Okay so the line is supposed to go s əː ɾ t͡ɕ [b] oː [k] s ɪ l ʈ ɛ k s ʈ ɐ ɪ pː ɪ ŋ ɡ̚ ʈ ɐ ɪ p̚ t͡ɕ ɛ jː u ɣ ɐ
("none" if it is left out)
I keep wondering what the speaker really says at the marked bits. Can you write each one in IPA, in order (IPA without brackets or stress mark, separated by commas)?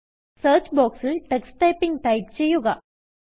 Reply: b, k